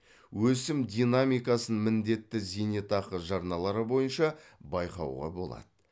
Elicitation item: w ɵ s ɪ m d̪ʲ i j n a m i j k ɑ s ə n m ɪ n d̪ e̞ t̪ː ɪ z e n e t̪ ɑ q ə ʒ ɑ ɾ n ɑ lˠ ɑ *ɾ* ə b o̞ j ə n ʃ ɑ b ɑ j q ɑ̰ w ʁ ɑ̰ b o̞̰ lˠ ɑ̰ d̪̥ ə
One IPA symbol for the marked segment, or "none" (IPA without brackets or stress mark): ɾ